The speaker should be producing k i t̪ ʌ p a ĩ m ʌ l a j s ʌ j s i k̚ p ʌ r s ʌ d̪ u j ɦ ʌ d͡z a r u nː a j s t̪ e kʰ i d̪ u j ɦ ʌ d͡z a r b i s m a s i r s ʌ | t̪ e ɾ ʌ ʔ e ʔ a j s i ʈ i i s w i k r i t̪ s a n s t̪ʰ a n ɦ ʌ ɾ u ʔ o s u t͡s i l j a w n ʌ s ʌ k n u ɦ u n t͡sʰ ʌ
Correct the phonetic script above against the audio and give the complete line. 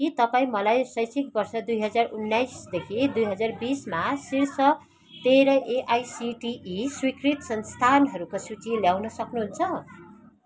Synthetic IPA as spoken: k i t̪ ʌ p a ĩ m ʌ l a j s ʌ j s i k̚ b ʌ r s ʌ d̪ u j ɦ ʌ d͡z a r u nː a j s d̪ e kʰ i d̪ u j ɦ ʌ d͡z a r b i s m a s i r s ʌ | t̪ e ɾ ʌ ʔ e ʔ a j s i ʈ i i s w i k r i t̪ s ʌ n s t̪ʰ a n ɦ ʌ ɾ u k o s u t͡s i l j a w n ʌ s ʌ k n u ɦ u n t͡sʰ ʌ